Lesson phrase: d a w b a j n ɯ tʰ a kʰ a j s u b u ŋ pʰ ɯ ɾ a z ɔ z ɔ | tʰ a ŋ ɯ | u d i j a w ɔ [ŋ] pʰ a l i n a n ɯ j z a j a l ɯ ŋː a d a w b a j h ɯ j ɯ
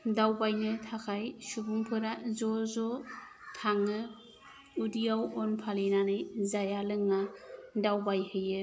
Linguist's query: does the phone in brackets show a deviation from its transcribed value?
yes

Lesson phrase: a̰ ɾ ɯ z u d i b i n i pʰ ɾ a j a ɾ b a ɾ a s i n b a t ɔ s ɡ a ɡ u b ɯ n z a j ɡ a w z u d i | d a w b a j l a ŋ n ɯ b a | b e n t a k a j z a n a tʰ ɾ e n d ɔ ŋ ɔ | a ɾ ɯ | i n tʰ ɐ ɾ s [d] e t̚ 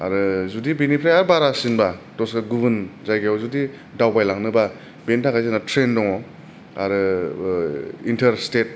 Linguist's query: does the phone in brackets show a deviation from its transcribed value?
yes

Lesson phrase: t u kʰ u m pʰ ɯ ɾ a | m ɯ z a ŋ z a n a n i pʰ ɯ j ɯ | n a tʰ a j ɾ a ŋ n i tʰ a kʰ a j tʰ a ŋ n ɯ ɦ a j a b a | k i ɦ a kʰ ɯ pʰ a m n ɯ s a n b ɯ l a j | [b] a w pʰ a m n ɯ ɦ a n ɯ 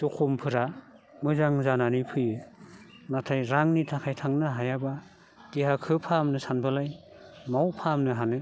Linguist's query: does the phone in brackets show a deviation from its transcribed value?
yes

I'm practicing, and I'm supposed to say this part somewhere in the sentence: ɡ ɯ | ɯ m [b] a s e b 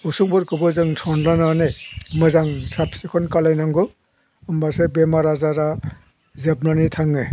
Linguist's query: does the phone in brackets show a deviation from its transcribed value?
no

